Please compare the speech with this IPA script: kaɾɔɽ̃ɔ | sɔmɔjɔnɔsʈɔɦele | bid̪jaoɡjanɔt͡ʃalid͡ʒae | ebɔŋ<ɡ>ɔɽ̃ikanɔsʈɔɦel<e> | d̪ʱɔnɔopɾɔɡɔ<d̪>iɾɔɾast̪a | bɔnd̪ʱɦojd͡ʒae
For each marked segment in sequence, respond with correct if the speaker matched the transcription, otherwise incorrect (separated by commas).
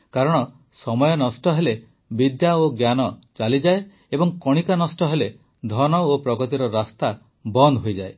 incorrect, correct, incorrect